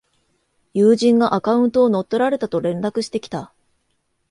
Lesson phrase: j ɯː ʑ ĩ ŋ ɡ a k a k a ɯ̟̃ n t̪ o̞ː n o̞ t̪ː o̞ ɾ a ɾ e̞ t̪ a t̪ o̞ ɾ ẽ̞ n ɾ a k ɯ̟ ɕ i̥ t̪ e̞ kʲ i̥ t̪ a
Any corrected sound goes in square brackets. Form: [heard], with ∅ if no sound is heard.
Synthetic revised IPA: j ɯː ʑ ĩ ŋ ɡ a [ʔ] a k a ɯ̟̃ n t̪ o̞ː n o̞ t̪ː o̞ ɾ a ɾ e̞ t̪ a t̪ o̞ ɾ ẽ̞ n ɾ a k ɯ̟ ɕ i̥ t̪ e̞ kʲ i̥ t̪ a